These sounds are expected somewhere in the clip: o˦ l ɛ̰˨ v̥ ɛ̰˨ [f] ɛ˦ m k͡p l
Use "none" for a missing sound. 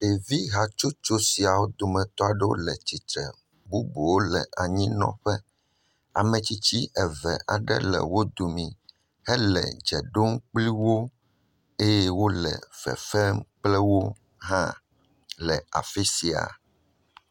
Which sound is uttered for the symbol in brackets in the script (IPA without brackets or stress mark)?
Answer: f